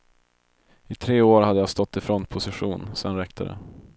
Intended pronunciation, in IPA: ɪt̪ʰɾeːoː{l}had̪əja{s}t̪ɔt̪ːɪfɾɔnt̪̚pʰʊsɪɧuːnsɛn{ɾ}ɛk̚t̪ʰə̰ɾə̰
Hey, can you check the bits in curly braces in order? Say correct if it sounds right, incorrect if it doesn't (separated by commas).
incorrect, correct, correct